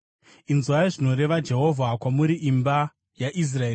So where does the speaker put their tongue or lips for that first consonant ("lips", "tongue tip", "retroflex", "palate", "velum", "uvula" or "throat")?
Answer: tongue tip